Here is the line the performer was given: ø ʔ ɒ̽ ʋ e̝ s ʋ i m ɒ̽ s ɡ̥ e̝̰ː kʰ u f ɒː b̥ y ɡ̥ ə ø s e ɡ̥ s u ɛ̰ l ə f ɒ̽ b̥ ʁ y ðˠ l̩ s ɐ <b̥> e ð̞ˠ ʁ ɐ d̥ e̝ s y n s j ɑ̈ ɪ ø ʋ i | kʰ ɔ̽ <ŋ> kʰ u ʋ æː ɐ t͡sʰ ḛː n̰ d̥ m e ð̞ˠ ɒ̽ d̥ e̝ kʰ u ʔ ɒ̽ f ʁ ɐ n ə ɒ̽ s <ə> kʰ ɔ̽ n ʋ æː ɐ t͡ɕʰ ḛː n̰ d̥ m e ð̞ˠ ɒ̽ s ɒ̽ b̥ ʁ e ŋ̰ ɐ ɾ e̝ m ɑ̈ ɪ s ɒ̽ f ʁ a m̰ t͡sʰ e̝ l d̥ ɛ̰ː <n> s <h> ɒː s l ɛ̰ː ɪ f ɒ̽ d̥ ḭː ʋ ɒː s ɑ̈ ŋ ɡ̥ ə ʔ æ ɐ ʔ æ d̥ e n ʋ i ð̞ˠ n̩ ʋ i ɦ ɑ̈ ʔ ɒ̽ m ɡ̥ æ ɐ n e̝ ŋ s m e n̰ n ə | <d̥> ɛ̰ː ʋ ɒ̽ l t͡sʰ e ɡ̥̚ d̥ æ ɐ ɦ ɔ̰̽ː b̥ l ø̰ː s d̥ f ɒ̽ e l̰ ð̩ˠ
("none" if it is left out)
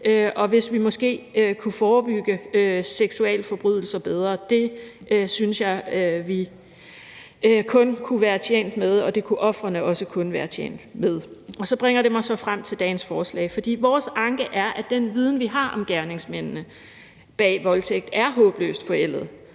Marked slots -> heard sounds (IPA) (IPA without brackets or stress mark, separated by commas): b̥, n, ə, n, f, b̥